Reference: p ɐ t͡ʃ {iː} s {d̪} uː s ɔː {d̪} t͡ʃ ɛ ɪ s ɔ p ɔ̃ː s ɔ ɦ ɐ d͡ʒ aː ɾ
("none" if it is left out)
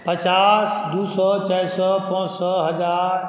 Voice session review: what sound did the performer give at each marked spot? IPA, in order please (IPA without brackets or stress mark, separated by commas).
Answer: aː, d̪, none